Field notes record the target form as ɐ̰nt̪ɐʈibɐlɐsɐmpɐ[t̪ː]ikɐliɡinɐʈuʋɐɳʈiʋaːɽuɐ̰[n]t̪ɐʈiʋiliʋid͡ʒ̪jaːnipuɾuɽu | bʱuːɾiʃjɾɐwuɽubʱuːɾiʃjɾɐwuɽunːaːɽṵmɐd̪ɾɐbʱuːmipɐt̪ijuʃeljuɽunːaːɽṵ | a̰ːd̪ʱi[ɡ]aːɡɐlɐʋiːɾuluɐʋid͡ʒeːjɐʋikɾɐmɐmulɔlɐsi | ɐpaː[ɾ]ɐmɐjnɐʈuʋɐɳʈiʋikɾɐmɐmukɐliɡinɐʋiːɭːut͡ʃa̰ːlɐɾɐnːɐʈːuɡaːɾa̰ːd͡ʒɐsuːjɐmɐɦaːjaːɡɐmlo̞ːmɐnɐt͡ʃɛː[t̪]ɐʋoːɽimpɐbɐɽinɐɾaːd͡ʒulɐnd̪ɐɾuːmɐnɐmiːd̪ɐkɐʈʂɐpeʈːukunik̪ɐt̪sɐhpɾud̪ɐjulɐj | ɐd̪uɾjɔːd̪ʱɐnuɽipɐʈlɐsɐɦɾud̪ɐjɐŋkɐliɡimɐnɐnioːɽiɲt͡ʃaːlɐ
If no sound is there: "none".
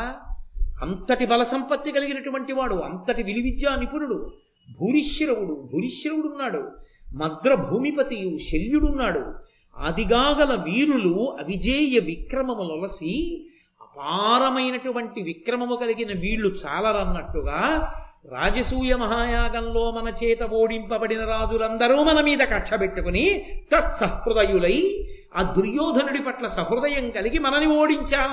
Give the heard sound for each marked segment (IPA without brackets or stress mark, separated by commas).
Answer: t̪ː, n, ɡ, ɾ, t̪